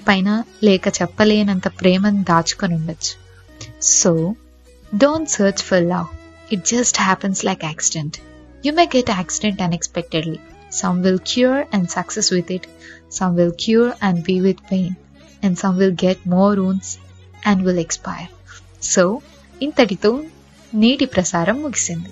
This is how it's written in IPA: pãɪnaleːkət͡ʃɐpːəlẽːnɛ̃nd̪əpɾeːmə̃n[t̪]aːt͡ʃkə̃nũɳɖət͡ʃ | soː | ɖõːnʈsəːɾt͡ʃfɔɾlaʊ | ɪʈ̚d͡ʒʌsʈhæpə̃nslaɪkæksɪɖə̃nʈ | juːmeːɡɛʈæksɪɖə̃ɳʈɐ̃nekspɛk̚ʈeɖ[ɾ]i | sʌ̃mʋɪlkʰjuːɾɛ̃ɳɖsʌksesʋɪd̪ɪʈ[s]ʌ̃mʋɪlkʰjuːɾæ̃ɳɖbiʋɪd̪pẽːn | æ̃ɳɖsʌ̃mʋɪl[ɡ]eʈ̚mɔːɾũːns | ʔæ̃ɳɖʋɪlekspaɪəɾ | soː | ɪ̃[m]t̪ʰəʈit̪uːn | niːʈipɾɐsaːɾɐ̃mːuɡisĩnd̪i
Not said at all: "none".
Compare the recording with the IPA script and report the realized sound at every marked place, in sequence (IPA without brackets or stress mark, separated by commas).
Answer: d̪, l, s, ɡ, n